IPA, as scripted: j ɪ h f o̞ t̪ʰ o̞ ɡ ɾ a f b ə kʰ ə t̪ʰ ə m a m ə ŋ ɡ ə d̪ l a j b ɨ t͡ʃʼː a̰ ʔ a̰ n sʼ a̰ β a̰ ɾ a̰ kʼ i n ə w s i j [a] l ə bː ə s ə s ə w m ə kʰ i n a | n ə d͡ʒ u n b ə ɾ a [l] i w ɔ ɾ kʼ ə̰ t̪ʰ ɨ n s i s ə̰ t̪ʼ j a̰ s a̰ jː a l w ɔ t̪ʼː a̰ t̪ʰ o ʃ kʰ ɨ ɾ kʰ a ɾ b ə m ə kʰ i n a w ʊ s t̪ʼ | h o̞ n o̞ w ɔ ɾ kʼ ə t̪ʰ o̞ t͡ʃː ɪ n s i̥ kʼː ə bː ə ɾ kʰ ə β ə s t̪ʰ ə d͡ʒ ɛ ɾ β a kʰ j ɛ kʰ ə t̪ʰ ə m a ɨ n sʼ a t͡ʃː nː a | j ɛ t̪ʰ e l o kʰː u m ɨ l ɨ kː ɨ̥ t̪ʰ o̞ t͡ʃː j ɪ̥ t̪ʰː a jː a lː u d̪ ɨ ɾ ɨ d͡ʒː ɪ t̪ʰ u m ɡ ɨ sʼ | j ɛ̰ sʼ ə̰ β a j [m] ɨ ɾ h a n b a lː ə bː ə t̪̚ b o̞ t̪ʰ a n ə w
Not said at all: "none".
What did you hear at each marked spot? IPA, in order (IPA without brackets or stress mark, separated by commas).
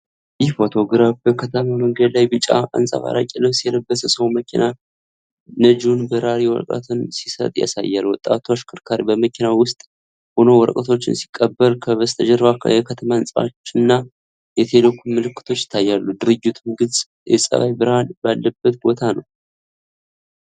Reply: ɛ, ɾ, b